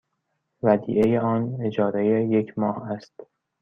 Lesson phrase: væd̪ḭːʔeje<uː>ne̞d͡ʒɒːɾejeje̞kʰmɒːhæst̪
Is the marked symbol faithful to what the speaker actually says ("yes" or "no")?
no